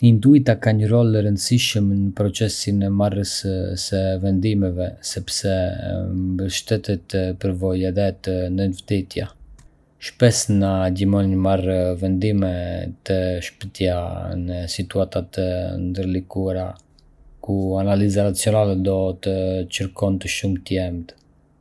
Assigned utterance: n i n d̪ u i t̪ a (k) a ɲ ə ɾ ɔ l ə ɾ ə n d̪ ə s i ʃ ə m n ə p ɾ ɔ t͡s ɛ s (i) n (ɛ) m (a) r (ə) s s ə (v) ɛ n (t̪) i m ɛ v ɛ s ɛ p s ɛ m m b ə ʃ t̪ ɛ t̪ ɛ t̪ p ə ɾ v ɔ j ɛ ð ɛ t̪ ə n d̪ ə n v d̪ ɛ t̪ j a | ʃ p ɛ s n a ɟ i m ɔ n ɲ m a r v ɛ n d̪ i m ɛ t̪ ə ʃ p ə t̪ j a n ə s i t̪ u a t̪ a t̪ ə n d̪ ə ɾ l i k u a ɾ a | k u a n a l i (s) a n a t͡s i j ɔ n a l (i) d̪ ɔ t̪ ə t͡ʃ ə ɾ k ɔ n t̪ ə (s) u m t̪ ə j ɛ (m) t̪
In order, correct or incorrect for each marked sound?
correct, correct, correct, correct, correct, correct, incorrect: d̪, incorrect: z, incorrect: ɛ, incorrect: ʃ, correct

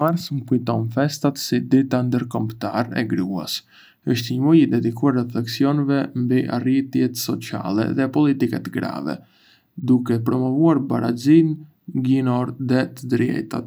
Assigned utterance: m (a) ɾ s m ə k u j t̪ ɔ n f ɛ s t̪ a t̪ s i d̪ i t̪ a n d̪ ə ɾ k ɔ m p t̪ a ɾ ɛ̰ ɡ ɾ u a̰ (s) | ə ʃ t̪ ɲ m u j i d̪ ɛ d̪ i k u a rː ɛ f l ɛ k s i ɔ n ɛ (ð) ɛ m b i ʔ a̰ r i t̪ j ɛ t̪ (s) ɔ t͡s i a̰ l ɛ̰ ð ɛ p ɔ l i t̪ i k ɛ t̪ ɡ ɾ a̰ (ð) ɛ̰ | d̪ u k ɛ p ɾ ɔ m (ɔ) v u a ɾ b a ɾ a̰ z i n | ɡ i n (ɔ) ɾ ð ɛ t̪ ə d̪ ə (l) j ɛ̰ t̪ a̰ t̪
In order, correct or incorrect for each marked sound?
correct, correct, incorrect: v, correct, incorrect: v, correct, correct, incorrect: ɾ

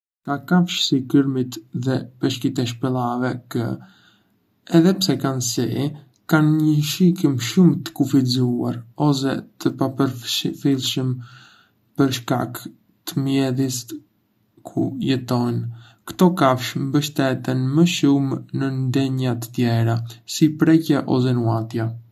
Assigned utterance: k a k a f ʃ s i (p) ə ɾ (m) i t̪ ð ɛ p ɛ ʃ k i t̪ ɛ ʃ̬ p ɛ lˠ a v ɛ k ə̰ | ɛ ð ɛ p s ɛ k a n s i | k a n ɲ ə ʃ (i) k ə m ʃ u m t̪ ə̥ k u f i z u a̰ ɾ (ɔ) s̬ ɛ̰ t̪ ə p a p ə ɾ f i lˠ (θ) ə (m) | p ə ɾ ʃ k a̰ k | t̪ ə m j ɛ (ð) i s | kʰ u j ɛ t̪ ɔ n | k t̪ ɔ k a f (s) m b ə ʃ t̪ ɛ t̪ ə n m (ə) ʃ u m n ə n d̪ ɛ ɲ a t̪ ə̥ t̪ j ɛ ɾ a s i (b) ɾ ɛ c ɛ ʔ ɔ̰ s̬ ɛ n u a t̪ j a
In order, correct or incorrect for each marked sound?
incorrect: k, correct, correct, correct, incorrect: ʃ, correct, correct, incorrect: ʃ, correct, incorrect: p

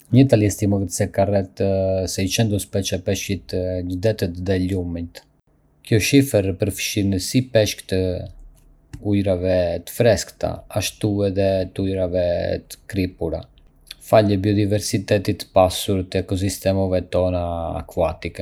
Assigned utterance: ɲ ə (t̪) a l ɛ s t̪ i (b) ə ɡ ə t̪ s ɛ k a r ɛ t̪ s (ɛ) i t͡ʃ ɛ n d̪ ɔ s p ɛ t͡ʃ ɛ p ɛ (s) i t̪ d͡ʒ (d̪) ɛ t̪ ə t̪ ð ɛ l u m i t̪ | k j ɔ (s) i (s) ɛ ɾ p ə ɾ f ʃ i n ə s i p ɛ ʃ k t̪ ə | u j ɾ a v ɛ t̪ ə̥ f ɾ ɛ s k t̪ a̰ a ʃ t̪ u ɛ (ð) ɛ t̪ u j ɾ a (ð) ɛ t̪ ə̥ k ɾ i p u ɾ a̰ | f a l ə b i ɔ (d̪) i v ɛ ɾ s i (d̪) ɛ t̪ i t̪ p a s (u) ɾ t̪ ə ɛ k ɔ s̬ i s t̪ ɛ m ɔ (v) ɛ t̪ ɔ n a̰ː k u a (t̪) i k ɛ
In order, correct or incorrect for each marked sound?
correct, incorrect: m, correct, incorrect: ʃ, correct, incorrect: ʃ, incorrect: f, correct, incorrect: v, correct, incorrect: t̪, correct, correct, correct

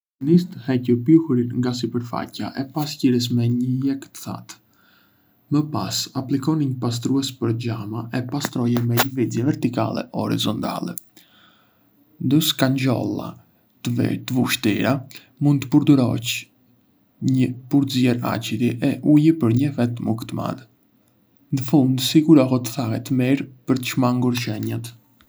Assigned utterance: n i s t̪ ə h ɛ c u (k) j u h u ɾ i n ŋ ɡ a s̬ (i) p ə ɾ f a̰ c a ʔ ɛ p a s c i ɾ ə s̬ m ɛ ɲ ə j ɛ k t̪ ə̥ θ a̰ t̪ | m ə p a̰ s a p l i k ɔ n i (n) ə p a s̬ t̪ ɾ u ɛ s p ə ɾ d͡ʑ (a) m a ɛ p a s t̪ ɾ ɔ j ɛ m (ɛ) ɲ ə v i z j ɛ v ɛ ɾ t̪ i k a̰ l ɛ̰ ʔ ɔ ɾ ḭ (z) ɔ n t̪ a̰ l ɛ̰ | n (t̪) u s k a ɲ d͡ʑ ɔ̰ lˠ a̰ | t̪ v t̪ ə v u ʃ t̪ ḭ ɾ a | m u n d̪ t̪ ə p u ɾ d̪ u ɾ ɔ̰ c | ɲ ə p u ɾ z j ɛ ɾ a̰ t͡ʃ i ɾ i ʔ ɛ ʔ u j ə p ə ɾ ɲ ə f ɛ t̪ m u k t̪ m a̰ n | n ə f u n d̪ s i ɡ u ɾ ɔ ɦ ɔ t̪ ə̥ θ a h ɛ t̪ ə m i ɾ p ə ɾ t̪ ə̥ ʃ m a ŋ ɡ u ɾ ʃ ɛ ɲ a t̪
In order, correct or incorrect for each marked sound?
incorrect: p, correct, incorrect: ɲ, correct, correct, correct, incorrect: d̪

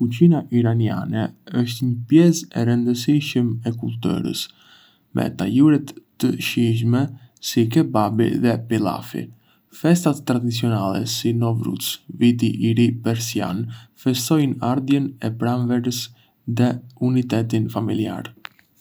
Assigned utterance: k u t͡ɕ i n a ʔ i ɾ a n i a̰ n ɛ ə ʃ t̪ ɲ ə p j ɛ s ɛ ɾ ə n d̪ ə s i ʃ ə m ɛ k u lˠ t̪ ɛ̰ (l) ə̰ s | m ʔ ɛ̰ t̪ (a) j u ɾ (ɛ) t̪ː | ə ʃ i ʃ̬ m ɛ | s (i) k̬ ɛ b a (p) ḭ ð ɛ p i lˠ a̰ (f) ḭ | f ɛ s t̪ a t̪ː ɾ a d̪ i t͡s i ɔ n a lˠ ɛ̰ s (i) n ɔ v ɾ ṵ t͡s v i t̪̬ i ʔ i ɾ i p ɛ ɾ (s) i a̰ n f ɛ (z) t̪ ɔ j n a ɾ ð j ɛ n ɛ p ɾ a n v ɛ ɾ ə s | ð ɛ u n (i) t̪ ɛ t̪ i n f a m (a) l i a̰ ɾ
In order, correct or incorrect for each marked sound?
incorrect: ɾ, correct, correct, correct, incorrect: b, correct, correct, correct, incorrect: s, correct, incorrect: i

